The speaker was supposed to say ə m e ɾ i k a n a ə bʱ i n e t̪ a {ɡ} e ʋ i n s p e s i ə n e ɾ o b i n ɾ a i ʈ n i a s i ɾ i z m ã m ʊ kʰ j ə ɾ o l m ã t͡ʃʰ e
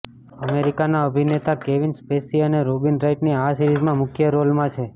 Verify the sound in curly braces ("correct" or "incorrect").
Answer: incorrect